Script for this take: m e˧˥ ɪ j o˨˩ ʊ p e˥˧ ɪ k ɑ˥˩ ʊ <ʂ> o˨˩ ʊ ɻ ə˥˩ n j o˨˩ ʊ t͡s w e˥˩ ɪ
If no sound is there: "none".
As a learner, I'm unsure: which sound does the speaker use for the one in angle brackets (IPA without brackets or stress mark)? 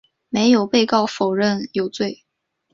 f